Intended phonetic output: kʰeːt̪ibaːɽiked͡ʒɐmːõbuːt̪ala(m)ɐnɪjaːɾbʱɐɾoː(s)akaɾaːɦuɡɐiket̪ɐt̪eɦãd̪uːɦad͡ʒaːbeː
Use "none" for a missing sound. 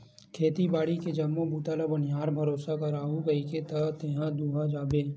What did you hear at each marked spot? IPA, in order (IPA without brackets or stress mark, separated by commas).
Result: b, s